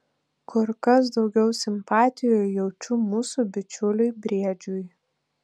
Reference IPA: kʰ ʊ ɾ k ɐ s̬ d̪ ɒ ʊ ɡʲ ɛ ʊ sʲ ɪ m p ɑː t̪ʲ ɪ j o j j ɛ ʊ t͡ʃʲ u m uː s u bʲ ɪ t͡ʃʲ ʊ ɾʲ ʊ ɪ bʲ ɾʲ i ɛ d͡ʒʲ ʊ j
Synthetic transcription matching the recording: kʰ ʊ ɾ k ɐ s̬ d̪ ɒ ʊ ɡʲ ɛ ʊ sʲ ɪ m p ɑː t̪ʲ ɪ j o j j ɛ ʊ t͡ʃʲ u m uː s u bʲ ɪ t͡ʃʲ ʊ lʲ ʊ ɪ bʲ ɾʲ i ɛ d͡ʒʲ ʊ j